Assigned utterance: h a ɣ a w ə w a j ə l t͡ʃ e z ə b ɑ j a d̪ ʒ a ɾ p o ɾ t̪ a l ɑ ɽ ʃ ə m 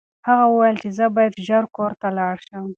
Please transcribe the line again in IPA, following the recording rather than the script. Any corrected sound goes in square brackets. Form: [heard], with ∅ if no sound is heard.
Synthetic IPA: h a ɣ a w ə w a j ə l t͡ʃ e z ə b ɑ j a d̪ ʒ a ɾ [k] o ɾ t̪ a l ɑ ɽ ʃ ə m